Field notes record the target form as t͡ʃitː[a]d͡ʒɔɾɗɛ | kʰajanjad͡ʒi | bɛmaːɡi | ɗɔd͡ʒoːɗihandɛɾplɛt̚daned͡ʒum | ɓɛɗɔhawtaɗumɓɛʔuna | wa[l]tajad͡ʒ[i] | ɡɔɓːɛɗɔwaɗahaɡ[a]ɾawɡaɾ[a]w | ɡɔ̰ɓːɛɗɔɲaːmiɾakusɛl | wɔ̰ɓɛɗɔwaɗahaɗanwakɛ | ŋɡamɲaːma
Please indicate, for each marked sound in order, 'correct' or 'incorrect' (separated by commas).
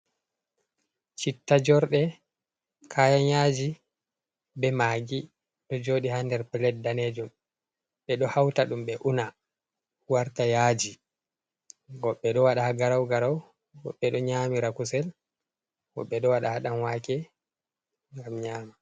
correct, incorrect, correct, correct, correct